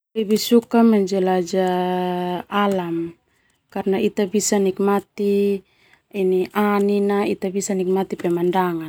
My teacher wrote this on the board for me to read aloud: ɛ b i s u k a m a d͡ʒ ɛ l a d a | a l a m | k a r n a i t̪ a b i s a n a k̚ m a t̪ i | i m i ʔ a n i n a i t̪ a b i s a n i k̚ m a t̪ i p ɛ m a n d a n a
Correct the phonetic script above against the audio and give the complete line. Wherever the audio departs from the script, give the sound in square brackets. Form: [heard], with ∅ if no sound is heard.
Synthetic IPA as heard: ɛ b i s u k a m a d͡ʒ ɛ l a [d͡ʒ] a | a l a m | k a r n a i t̪ a b i s a n [i] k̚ m a t̪ i | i [n] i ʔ a n i n a i t̪ a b i s a n i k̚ m a t̪ i p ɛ m a n d a [ŋ] a